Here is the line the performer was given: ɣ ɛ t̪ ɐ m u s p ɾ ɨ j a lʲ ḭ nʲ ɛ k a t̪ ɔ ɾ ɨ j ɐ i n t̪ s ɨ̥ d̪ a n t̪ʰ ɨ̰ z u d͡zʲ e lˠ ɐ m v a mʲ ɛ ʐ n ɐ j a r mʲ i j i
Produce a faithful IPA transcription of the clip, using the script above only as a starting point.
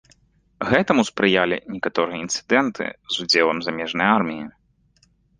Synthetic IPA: ɣ ɛ t̪ ɐ m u s p ɾ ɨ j a lʲ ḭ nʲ ɛ k a t̪ ɔ ɾ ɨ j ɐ i n t̪ s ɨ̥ d̪ ɛ n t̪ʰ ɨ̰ z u d͡zʲ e lˠ ɐ m z a mʲ ɛ ʐ n ɐ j a r mʲ i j i